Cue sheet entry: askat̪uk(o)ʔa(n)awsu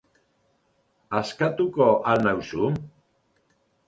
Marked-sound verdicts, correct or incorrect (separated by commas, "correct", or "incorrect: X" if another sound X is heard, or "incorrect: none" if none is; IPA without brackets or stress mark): correct, correct